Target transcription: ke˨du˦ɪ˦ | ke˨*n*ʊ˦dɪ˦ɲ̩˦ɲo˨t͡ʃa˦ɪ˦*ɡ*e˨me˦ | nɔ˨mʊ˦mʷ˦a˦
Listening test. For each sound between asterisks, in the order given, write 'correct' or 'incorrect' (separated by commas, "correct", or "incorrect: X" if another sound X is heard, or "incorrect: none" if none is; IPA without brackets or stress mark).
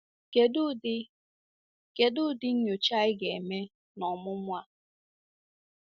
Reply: incorrect: d, correct